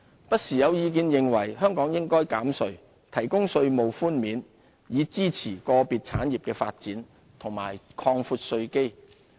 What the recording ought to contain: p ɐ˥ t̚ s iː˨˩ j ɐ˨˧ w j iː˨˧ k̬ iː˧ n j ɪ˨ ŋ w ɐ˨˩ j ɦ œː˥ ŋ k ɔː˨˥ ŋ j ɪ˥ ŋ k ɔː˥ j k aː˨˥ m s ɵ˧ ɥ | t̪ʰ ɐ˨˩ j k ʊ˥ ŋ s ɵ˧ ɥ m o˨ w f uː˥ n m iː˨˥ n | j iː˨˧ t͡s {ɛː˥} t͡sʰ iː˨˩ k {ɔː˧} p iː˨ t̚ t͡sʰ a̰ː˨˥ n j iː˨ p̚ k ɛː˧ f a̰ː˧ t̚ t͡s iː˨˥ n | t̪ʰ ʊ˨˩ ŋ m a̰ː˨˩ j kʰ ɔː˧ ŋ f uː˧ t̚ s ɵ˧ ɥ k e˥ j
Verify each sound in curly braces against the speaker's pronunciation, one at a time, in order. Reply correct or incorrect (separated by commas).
incorrect, correct